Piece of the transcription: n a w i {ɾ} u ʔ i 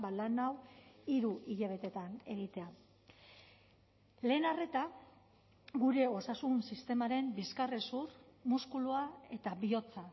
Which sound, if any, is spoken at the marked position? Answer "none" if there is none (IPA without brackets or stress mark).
ɾ